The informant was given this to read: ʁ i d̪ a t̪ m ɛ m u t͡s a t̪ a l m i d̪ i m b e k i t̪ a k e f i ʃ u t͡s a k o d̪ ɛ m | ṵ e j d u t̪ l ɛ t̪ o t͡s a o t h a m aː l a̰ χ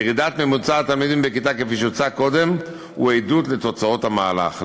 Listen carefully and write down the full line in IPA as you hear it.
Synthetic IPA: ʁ i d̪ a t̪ m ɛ m u t͡s a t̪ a l m i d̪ i m b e k i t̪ a k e f i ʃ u t͡s a k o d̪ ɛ m | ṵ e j d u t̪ l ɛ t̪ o t͡s a o t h a m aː l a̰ χ